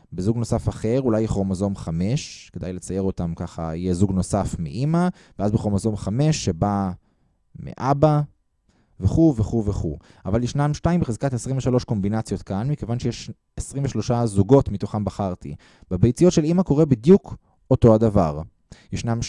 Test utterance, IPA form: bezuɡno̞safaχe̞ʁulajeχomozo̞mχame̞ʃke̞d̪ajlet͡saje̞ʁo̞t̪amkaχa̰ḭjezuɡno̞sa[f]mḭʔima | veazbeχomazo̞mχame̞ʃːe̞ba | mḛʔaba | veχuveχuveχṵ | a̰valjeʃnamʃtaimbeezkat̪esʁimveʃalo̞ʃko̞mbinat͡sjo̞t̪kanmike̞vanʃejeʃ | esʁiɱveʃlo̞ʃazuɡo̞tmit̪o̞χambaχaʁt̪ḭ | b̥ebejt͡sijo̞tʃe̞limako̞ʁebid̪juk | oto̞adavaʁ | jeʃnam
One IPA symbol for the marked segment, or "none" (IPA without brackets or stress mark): f